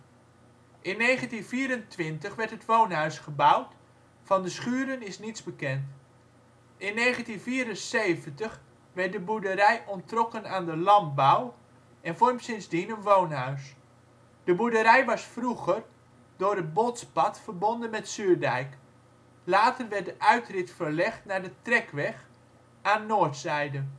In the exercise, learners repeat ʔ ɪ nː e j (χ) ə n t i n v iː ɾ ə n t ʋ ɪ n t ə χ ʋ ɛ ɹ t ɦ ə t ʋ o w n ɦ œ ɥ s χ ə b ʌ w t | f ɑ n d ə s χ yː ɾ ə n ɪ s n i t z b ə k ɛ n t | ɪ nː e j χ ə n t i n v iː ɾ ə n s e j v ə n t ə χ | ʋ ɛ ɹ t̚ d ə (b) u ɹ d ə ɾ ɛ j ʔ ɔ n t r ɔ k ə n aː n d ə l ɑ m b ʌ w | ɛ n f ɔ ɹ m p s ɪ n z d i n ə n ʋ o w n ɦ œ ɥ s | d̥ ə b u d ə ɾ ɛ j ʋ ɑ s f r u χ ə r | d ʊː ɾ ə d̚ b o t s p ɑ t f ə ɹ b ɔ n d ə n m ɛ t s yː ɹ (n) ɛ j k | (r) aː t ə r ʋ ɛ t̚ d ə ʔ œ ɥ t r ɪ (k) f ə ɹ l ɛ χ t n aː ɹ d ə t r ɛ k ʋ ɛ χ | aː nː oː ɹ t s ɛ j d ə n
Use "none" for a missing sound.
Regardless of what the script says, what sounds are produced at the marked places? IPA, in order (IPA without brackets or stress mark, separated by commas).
χ, b, d, l, t